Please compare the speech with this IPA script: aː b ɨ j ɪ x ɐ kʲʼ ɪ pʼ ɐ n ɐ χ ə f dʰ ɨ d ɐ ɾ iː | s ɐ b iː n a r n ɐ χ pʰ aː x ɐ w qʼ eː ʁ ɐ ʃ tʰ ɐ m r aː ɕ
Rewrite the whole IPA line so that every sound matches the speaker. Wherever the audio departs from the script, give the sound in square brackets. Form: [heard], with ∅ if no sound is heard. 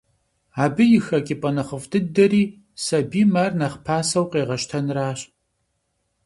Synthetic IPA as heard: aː b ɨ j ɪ x ɐ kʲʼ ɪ pʼ ɐ n ɐ χ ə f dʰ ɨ d ɐ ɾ iː | s ɐ b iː [m] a r n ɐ χ pʰ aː [s] ɐ w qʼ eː ʁ ɐ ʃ tʰ ɐ [n] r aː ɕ